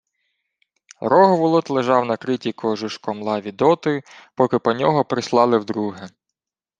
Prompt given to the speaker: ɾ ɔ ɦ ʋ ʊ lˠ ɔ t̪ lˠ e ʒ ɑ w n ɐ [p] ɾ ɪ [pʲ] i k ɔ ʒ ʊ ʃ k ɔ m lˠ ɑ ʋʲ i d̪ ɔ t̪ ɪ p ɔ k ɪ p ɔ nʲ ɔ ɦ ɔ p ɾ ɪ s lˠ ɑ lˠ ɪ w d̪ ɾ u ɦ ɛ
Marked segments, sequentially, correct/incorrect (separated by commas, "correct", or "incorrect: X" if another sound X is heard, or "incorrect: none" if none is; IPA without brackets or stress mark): incorrect: k, incorrect: tʲ